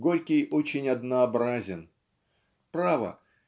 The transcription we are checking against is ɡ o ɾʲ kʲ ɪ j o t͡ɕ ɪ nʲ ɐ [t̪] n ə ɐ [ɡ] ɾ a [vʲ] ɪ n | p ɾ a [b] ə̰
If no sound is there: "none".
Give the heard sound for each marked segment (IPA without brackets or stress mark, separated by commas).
d̪, b, zʲ, v